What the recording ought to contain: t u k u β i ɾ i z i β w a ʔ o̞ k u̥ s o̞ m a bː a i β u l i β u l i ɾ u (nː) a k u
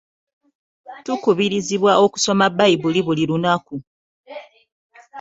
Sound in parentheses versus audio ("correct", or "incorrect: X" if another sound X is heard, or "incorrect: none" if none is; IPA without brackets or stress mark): incorrect: n